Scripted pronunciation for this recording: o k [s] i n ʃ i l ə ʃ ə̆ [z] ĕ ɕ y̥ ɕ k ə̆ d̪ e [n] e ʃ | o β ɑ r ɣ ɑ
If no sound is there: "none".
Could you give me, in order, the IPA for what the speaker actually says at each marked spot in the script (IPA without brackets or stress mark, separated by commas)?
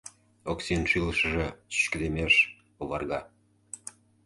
s, ʒ, m